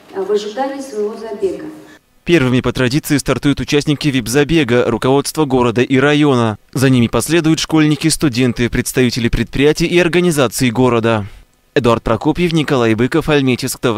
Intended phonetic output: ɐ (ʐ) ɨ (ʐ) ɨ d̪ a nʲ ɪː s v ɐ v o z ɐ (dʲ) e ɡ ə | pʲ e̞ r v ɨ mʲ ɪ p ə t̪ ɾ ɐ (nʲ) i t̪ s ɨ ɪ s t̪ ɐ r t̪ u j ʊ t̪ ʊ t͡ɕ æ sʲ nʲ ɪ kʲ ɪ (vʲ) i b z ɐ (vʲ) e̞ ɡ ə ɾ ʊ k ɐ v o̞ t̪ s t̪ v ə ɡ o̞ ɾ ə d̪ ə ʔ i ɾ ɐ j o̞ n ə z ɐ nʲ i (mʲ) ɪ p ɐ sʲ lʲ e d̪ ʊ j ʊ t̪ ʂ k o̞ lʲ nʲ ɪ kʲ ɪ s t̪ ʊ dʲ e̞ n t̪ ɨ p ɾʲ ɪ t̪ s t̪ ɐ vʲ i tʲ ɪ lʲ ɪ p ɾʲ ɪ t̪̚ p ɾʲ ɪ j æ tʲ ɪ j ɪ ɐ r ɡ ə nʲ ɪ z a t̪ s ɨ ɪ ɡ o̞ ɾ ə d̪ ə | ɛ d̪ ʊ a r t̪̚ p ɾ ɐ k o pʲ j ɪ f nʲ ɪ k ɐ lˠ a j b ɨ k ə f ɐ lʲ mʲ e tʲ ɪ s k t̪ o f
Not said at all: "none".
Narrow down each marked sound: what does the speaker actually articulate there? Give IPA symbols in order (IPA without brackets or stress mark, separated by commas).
v, ʐ, bʲ, dʲ, vʲ, bʲ, mʲ